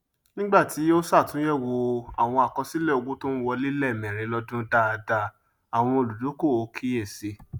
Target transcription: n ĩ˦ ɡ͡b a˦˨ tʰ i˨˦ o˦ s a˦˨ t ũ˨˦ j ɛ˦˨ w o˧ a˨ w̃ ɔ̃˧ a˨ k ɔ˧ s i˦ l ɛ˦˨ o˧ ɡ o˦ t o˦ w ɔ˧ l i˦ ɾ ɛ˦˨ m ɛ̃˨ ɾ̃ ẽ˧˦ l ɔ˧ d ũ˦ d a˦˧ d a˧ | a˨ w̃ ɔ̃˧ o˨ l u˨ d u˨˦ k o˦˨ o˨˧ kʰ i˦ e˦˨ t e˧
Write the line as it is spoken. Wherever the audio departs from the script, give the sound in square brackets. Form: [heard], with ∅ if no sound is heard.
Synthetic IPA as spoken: n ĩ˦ ɡ͡b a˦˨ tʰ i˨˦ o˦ s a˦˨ t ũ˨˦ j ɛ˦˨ w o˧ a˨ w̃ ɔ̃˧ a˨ k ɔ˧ s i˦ l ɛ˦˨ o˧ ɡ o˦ t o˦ w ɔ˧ l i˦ [l] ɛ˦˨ m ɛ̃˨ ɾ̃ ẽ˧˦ l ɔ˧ d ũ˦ d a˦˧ d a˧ | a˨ w̃ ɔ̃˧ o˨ l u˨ d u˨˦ k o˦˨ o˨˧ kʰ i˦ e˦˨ [s] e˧